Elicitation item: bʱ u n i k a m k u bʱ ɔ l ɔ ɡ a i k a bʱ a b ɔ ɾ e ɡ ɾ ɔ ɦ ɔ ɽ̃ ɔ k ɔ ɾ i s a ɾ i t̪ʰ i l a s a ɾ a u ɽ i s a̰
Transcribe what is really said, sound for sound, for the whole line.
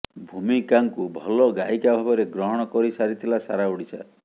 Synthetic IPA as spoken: bʱ u m i k a ŋ k u bʱ ɔ l ɔ ɡ a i k a bʱ a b ɔ ɾ e ɡ ɾ ɔ ɦ ɔ ɽ̃ ɔ k ɔ ɾ i s a ɾ i t̪ʰ i l a s a ɾ a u ɽ i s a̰